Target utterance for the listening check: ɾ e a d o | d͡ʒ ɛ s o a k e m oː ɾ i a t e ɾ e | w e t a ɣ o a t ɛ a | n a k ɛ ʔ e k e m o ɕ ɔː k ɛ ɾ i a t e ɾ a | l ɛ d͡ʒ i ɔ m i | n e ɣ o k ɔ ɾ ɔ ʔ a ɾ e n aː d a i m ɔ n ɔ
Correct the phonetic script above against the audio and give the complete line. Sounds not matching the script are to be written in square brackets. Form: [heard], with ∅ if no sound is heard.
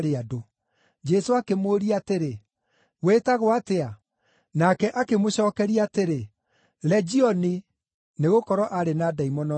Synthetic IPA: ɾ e a d o | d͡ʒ ɛ s o a k e m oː ɾ i a t e ɾ e | w e t a ɣ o a t [e] a | n a k ɛ ʔ [a] k e m o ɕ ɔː k ɛ ɾ i a t e ɾ [e] | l ɛ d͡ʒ i ɔ [n] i | n e ɣ o k ɔ ɾ ɔ ʔ a ɾ e n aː d a i m ɔ n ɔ